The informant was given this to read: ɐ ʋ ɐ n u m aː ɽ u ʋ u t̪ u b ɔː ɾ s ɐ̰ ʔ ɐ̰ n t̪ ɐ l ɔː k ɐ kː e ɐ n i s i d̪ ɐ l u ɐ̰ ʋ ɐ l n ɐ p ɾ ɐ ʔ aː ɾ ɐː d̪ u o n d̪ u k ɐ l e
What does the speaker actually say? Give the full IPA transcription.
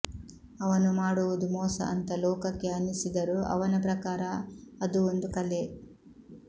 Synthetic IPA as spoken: ɐ ʋ ɐ n u m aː ɽ u ʋ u d̪ u m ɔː s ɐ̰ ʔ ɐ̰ n t̪ ɐ l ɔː k ɐ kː e ɐ n i s i d̪ ɐ ɾ u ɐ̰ ʋ ɐ n ɐ p ɾ ɐ k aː ɾ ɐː d̪ u o n d̪ u k ɐ l e